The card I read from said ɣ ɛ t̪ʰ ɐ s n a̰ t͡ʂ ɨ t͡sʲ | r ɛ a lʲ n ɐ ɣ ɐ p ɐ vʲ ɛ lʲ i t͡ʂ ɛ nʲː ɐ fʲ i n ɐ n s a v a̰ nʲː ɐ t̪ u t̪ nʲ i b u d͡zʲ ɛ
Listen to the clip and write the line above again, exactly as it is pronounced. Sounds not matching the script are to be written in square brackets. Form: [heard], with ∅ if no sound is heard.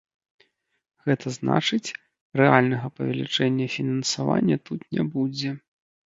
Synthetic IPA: ɣ ɛ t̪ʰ ɐ [z] n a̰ t͡ʂ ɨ t͡sʲ | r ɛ a lʲ n ɐ ɣ ɐ p ɐ vʲ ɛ lʲ i t͡ʂ ɛ nʲː ɐ fʲ i n ɐ n s a v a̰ nʲː ɐ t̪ u t̪ nʲ [ɛ] b u d͡zʲ ɛ